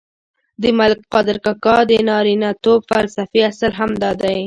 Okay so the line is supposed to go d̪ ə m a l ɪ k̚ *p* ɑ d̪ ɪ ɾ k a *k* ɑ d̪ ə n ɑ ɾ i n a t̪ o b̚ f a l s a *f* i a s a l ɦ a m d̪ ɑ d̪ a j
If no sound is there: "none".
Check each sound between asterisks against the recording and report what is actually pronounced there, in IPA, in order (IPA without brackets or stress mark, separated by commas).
q, k, f